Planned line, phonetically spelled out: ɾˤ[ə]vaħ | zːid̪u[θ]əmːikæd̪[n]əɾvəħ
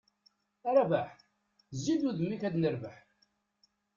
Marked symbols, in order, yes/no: no, no, yes

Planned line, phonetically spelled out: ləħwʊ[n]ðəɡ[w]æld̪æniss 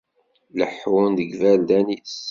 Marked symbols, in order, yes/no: yes, no

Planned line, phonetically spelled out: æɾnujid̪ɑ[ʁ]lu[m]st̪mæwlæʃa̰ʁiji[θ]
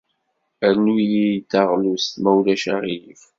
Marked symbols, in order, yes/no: yes, no, no

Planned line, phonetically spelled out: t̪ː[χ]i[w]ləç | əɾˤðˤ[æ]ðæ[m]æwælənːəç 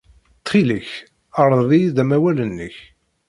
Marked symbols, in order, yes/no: yes, no, no, yes

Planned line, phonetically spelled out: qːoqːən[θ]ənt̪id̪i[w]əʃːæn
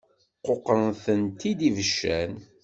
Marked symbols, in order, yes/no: yes, no

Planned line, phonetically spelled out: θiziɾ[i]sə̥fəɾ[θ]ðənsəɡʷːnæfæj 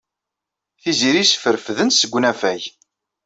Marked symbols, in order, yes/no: yes, no

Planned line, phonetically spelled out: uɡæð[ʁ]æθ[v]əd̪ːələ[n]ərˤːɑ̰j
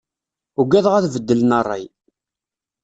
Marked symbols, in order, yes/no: yes, yes, yes

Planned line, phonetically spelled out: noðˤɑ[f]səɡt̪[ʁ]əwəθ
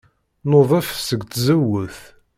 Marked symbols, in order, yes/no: yes, no

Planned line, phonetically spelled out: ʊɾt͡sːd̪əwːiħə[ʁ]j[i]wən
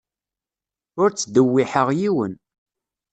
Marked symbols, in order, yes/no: yes, yes

